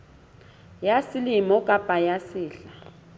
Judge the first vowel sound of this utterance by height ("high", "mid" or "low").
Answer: low